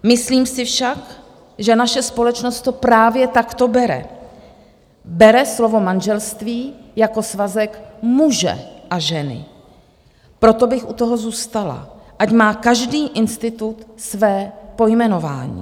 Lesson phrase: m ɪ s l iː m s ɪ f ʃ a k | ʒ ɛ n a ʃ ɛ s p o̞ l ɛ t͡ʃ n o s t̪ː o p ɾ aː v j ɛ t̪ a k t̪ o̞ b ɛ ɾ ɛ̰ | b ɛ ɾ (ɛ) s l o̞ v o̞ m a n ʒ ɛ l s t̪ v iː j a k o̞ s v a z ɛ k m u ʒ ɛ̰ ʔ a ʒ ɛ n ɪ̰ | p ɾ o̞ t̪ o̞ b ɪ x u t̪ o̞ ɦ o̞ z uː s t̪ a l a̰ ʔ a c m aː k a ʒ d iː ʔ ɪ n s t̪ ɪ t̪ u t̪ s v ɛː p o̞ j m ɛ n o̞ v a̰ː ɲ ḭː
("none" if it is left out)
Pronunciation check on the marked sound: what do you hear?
ɛ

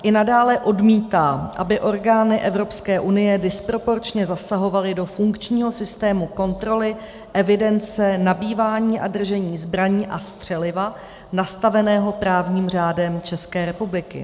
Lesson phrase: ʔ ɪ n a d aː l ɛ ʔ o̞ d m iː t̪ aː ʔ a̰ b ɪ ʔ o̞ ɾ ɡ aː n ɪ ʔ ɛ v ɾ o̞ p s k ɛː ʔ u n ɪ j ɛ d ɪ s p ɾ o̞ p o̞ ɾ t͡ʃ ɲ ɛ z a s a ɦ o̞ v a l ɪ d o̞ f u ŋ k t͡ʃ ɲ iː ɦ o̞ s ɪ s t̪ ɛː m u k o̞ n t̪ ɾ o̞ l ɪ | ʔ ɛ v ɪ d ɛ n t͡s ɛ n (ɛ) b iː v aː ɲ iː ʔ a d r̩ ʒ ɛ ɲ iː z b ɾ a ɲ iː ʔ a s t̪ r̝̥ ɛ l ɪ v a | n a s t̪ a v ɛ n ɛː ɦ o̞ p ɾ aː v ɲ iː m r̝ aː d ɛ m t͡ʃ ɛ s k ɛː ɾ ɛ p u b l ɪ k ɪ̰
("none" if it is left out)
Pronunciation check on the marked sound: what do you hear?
a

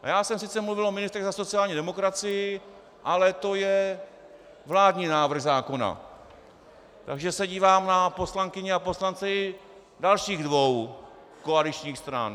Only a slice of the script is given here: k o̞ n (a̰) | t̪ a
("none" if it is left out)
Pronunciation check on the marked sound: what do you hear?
a̰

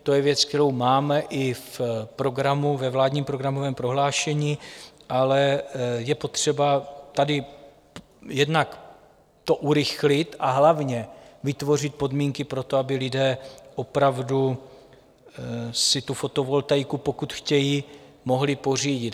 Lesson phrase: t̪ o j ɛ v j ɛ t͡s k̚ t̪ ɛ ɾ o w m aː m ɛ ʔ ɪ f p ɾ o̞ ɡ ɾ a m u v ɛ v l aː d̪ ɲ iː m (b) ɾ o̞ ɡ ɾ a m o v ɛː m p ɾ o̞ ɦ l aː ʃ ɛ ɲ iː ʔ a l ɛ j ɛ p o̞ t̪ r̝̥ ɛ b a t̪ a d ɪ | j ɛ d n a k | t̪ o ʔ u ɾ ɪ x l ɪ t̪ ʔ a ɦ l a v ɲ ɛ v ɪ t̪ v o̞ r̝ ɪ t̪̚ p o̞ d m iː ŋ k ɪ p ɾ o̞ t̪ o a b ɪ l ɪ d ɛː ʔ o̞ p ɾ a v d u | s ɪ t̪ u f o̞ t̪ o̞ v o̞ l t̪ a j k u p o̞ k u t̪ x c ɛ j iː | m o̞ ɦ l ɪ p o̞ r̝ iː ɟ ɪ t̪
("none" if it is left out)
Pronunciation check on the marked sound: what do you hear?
p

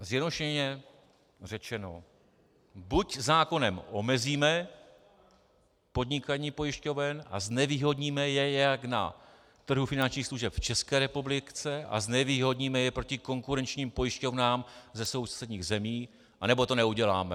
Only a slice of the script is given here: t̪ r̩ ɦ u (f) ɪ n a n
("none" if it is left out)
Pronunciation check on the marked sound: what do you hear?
f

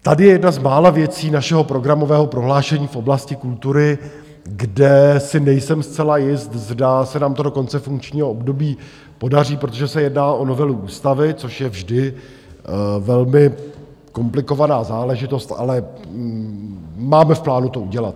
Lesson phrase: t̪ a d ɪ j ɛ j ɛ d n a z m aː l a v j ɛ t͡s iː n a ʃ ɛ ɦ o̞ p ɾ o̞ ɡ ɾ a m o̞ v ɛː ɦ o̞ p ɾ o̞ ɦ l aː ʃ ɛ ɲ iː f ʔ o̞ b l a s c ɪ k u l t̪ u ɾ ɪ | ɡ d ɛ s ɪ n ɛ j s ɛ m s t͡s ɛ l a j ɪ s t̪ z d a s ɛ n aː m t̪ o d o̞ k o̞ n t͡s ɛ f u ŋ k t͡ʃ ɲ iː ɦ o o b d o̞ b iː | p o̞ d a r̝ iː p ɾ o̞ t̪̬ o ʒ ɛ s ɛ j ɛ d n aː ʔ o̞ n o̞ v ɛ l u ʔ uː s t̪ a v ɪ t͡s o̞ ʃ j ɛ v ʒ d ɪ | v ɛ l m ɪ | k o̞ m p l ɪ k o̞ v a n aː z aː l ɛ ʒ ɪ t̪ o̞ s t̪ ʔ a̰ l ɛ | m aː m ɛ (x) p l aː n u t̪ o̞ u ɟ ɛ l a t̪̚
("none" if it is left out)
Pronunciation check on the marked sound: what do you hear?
f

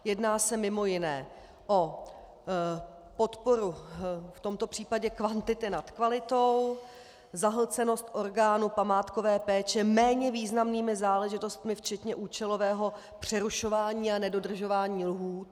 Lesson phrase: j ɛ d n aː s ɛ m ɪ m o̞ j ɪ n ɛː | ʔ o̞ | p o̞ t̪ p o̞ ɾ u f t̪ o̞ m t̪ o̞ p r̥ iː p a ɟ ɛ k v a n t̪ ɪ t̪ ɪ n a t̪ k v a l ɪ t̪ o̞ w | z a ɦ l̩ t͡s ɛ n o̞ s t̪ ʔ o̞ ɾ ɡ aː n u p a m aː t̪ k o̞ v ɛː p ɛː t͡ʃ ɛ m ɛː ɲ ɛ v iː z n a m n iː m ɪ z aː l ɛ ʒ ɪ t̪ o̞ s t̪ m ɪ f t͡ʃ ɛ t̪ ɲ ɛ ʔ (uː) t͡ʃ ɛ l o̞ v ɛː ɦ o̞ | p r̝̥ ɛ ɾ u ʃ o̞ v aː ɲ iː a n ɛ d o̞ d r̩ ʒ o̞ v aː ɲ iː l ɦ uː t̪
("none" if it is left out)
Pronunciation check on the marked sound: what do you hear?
uː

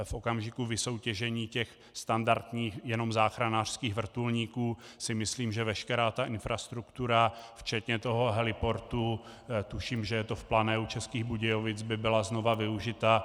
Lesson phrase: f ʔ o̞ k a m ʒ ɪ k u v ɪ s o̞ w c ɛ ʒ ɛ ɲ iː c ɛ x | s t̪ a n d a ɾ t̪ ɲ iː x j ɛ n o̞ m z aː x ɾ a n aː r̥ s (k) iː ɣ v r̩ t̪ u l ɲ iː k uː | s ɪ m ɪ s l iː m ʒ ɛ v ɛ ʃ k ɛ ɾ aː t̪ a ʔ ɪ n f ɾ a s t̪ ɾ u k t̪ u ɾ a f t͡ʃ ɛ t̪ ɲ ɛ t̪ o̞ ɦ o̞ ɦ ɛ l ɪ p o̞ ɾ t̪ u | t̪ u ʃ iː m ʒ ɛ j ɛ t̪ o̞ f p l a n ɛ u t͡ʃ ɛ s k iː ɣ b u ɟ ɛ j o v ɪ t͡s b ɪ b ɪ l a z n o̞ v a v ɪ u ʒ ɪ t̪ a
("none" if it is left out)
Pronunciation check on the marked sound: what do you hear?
k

